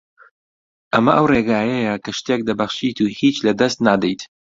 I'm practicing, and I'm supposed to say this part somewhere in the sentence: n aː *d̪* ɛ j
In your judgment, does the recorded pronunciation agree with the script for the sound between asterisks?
yes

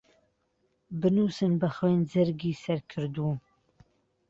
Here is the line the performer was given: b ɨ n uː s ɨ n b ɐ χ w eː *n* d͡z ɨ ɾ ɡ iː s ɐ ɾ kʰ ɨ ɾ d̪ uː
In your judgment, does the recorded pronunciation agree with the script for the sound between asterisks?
yes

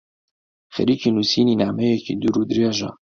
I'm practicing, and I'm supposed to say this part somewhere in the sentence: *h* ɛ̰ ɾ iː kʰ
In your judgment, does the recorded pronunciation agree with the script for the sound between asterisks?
no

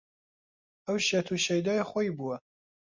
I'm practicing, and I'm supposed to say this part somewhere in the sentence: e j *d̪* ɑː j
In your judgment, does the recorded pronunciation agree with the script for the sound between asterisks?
yes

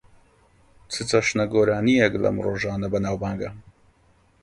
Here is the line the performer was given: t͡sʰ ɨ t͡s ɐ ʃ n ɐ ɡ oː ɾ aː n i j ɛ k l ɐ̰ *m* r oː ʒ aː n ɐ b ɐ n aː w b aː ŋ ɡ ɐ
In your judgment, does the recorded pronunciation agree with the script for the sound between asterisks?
yes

